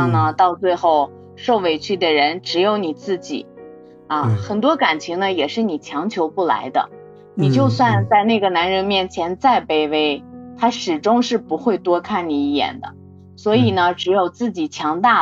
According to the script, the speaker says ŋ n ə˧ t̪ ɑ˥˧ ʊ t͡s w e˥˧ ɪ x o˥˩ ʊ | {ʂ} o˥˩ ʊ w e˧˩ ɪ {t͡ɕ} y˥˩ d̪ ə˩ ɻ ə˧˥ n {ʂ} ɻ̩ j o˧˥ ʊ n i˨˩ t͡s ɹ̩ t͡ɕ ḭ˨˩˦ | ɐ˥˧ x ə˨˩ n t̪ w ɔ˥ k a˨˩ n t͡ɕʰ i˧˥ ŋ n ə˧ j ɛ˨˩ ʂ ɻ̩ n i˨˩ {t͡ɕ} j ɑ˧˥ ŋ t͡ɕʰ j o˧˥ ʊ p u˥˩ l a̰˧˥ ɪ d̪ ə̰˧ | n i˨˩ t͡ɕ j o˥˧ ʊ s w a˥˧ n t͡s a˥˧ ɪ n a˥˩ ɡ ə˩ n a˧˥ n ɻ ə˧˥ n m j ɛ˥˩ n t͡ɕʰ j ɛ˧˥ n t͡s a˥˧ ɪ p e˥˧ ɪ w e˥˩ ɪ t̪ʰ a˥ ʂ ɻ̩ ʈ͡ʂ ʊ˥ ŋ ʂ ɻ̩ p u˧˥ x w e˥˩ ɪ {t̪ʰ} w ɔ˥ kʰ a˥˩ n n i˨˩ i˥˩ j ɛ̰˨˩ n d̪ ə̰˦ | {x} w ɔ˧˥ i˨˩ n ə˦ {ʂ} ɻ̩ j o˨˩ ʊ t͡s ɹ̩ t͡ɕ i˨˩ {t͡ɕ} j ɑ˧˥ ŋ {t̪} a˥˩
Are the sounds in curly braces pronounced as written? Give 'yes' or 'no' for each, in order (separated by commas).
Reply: yes, no, no, no, no, no, no, no, yes